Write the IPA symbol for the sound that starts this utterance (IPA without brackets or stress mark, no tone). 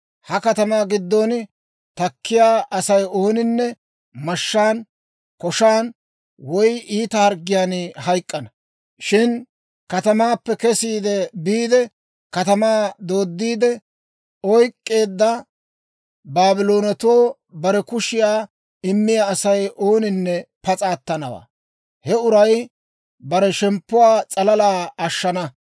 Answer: h